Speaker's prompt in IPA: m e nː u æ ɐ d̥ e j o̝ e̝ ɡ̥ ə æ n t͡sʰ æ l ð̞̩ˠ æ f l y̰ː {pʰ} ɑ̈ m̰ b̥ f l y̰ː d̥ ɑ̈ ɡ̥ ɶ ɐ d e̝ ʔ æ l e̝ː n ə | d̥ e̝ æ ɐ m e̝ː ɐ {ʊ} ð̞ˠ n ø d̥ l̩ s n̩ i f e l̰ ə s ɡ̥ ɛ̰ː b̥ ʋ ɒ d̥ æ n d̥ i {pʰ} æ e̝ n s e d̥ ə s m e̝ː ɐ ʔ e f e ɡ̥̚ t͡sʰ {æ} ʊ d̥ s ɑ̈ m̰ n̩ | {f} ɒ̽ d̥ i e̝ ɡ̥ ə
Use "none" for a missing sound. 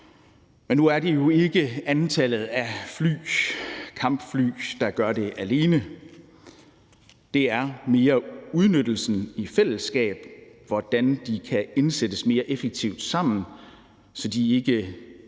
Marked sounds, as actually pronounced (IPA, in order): kʰ, u, kʰ, i, s

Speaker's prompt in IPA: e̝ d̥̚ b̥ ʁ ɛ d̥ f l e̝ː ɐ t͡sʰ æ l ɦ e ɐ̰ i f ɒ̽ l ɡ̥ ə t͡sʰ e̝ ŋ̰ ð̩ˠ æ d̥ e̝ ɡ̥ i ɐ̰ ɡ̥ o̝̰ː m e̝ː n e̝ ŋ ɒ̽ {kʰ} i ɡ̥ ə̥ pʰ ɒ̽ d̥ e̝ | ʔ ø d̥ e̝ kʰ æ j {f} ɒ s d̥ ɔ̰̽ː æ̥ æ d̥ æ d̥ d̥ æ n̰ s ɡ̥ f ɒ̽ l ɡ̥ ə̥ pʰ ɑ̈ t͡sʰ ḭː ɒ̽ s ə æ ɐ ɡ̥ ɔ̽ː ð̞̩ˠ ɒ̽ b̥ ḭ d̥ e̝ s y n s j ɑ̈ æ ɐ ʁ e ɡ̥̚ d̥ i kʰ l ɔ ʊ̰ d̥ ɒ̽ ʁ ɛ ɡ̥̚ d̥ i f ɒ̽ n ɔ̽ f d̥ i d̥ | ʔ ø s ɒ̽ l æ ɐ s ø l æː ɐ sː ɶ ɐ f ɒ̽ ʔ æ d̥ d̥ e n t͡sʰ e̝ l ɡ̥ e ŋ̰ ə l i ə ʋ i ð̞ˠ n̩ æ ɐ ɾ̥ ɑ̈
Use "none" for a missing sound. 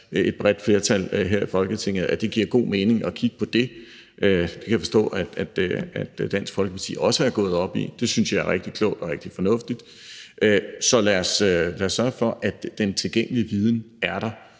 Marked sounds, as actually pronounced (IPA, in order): kʰ, f

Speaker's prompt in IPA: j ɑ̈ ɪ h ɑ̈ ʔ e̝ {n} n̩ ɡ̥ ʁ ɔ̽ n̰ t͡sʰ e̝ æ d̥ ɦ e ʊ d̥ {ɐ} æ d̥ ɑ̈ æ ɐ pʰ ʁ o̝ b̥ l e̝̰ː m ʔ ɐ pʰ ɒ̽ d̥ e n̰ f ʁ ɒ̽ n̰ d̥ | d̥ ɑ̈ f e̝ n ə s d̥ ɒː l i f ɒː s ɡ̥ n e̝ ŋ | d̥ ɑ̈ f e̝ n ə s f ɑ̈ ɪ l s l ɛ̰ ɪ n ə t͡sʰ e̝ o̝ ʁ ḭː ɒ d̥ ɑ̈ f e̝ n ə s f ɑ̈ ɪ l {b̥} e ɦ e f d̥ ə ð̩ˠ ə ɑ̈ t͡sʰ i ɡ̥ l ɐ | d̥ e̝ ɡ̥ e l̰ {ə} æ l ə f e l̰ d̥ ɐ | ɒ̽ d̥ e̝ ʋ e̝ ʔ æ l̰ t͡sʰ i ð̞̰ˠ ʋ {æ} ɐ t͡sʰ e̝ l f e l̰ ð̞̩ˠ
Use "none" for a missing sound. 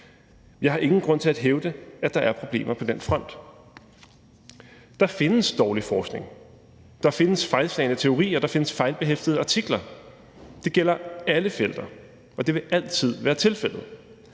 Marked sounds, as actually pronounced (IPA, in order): ŋ, ə, b̥, ɐ, æː

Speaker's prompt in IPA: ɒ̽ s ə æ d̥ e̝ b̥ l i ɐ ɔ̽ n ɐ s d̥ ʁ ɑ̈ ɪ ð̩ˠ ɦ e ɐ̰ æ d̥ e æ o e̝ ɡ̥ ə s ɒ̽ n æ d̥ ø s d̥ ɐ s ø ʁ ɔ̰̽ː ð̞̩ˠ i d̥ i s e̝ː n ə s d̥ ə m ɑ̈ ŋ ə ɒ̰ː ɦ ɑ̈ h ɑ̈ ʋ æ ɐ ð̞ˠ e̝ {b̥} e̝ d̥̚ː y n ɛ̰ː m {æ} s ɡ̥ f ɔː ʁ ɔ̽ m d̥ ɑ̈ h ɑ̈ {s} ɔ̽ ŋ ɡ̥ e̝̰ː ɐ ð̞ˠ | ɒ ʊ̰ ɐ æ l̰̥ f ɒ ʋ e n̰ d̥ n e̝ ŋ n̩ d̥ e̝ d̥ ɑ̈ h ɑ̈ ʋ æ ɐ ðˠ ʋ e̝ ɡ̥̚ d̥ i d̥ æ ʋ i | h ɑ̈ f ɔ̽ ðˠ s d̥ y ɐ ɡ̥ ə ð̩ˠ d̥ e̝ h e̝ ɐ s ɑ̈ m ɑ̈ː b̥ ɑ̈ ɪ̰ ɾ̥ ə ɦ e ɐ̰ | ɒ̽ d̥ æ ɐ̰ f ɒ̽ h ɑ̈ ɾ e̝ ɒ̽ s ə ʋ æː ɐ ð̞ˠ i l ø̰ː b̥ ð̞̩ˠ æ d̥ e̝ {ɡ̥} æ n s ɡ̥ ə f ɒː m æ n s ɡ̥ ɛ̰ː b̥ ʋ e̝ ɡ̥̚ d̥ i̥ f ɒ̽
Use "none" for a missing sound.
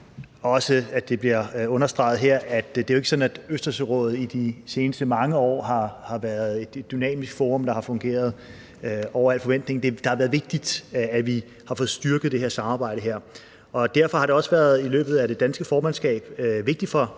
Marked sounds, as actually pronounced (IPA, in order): d̥, i, f, d̥

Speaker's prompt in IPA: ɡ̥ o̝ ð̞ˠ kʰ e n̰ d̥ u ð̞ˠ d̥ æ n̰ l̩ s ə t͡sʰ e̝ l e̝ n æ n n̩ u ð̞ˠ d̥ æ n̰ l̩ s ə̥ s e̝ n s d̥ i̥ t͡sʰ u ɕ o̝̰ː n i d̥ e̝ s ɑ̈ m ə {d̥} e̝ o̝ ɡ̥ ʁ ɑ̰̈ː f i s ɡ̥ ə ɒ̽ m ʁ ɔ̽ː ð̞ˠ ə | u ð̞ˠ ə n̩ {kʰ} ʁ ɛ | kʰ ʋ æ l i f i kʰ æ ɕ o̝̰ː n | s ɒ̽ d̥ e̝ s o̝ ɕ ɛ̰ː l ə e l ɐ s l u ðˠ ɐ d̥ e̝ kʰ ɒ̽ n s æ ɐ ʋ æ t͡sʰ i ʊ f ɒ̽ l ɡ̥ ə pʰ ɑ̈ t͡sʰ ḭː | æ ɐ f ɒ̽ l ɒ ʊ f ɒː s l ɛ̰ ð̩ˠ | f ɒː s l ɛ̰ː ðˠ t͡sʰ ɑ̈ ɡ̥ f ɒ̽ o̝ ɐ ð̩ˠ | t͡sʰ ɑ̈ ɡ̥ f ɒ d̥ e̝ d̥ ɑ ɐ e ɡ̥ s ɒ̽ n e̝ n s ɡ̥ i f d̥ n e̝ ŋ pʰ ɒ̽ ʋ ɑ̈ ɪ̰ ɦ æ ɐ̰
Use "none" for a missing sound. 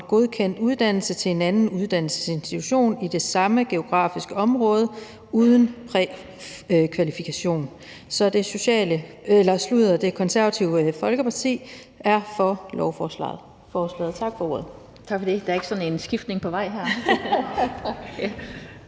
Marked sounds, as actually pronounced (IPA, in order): ɡ̥, pʰ

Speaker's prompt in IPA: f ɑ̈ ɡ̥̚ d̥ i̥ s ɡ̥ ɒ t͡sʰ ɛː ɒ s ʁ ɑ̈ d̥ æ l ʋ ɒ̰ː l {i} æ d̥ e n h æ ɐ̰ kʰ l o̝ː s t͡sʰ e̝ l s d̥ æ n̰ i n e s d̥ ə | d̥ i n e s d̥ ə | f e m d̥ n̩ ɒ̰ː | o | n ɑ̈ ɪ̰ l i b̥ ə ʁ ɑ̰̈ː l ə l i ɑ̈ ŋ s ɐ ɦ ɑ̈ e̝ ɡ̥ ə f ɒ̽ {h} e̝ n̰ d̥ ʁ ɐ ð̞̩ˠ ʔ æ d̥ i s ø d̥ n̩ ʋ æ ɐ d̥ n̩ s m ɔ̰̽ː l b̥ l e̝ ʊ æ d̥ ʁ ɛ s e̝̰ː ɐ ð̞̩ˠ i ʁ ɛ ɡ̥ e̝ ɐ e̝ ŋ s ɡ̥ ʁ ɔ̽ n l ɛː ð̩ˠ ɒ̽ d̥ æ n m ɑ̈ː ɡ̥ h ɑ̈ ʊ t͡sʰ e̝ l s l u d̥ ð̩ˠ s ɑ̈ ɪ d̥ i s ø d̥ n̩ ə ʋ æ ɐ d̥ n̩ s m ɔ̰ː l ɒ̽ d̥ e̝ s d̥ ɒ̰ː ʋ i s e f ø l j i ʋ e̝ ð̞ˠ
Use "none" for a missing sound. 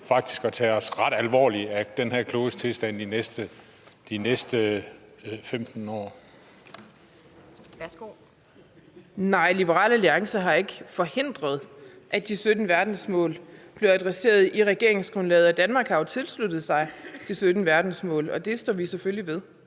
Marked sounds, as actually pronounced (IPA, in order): i, h

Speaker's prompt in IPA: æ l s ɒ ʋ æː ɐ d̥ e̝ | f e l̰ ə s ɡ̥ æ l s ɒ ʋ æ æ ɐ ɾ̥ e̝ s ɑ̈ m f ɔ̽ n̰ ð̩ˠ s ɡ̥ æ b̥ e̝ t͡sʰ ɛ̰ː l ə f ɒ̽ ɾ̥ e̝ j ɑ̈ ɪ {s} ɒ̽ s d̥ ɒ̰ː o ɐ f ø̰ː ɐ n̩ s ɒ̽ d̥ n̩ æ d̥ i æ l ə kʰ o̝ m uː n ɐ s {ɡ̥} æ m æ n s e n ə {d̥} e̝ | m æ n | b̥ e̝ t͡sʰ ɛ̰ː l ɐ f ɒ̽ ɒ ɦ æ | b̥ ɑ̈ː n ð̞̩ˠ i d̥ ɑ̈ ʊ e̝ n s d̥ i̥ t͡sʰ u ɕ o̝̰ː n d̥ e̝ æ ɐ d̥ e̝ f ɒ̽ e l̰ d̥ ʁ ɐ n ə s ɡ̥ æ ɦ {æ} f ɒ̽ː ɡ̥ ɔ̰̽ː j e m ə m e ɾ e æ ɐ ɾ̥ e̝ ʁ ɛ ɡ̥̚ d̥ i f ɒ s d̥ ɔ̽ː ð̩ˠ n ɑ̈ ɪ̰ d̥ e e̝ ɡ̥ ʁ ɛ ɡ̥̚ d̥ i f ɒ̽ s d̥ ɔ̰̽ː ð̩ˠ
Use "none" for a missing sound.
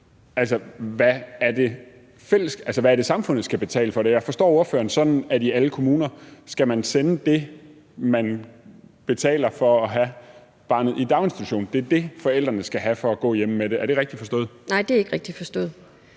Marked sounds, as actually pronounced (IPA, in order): f, ɡ̥, d̥, æ

